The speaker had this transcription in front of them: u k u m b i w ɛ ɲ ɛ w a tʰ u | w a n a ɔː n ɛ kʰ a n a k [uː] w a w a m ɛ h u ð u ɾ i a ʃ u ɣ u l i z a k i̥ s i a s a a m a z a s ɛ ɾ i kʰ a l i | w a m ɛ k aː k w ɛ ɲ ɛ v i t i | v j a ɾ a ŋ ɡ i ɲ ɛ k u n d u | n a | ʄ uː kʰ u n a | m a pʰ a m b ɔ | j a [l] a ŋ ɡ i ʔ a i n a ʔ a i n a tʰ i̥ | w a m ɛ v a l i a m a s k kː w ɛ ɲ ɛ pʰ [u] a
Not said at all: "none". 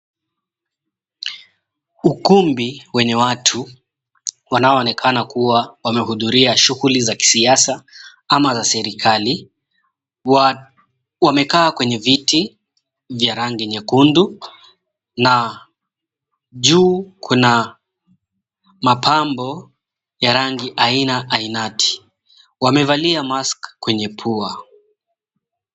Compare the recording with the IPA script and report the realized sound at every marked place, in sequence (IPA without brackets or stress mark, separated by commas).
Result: u, ɾ, u